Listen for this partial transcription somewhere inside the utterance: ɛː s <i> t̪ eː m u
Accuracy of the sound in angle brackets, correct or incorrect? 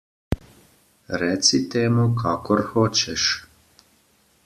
correct